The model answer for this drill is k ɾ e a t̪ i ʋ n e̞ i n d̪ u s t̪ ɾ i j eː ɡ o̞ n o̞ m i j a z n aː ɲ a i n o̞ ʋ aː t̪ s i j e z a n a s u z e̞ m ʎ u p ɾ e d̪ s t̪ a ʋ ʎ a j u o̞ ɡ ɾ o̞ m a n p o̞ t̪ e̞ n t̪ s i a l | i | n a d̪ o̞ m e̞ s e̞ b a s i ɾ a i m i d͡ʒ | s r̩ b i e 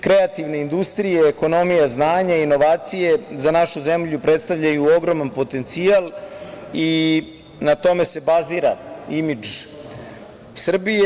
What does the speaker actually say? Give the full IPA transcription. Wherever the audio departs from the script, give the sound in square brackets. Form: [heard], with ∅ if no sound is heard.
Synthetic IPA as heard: k ɾ e a t̪ i ʋ n e̞ i n d̪ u s t̪ ɾ i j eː [k] o̞ n o̞ m i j a z n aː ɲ a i n o̞ ʋ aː t̪ s i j e z a n a [ʃ] u z e̞ m ʎ u p ɾ e [t̪] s t̪ a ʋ ʎ a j u o̞ ɡ ɾ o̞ m a n p o̞ t̪ e̞ n t̪ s i a l | i | n a [t̪] o̞ m e̞ s e̞ b a [z] i ɾ a i m i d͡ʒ | s r̩ b i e